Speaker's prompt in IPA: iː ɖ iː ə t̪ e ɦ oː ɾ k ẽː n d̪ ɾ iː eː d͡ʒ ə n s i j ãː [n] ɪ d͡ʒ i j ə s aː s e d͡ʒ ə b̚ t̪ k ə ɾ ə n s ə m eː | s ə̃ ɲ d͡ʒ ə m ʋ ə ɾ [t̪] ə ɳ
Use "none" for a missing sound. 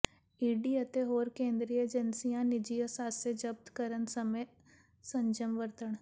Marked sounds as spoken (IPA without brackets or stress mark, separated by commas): n, t̪